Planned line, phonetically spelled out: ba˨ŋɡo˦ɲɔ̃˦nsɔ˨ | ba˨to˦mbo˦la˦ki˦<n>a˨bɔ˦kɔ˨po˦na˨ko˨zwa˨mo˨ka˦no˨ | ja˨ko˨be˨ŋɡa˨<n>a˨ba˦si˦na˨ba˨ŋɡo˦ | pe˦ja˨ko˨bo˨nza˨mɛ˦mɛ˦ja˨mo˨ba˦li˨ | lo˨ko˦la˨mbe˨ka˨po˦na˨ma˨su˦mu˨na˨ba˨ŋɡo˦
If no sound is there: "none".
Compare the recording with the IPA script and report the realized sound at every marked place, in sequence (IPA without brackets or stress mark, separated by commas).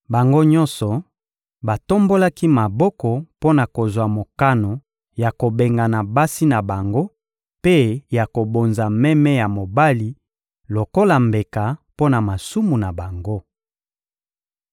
m, n